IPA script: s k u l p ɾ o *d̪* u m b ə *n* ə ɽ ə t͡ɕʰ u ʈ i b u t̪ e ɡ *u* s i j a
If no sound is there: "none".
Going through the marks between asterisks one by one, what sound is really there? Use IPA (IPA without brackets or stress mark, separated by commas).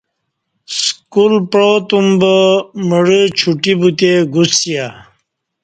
t̪, m, u